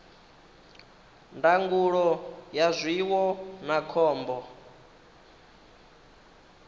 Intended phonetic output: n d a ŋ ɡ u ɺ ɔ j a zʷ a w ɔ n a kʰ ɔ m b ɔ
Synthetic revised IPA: n d a ŋ ɡ u ɺ ɔ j a zʷ i w ɔ n a kʰ ɔː m b ɔ